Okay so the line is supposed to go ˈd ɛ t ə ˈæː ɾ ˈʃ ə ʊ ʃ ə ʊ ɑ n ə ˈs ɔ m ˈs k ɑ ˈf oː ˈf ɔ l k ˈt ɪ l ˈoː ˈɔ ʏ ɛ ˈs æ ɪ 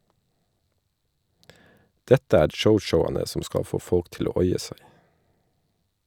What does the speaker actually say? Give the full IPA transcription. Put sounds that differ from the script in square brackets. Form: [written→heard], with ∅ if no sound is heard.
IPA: ˈd ɛ t ə ˈæː ɾ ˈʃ ə ʊ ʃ ə ʊ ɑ n ə ˈs ɔ m ˈs k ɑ ˈf oː ˈf ɔ l k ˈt ɪ l ˈoː ˈɔ ʏ ɛ ˈs æ ɪ